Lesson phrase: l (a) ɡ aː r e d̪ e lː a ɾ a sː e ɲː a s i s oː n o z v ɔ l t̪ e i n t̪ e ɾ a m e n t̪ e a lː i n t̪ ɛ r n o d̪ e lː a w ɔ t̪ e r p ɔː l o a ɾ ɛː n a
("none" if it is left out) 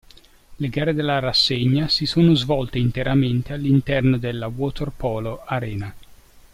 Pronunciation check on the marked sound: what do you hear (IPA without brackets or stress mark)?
e